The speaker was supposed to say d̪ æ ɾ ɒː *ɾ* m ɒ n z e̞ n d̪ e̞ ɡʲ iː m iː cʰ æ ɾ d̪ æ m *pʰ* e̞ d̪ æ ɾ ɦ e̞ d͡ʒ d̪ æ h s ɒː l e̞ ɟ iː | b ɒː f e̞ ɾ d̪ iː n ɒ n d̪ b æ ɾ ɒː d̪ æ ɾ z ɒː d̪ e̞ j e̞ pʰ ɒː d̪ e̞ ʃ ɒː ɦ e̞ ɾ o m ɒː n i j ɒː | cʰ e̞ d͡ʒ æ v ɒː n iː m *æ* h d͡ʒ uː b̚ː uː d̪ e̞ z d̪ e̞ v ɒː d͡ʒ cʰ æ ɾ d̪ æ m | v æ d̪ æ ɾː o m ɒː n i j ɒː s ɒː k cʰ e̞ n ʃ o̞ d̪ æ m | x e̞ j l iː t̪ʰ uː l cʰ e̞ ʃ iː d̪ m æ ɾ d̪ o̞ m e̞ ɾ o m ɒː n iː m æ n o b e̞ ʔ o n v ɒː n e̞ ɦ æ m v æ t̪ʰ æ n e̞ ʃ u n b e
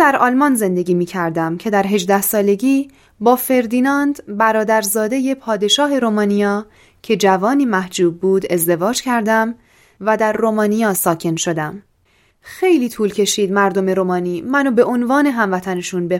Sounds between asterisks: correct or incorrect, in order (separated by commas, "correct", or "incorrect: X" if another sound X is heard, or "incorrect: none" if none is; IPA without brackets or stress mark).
incorrect: l, incorrect: cʰ, correct